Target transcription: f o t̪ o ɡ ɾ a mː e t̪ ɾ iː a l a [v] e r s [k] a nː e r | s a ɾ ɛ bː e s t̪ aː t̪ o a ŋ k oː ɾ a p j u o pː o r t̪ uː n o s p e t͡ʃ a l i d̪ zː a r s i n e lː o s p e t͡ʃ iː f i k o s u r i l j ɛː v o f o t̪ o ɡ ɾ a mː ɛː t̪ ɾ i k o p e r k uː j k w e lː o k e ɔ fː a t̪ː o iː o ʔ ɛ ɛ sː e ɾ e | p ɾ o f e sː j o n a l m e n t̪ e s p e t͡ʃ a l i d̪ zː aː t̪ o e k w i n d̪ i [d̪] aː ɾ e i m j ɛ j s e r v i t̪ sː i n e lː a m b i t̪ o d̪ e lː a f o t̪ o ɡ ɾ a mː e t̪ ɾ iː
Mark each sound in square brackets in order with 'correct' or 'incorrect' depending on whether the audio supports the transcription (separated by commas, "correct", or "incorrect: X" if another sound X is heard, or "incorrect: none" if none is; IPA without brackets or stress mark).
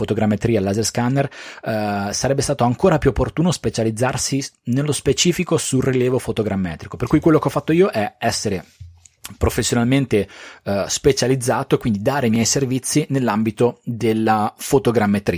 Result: incorrect: z, correct, correct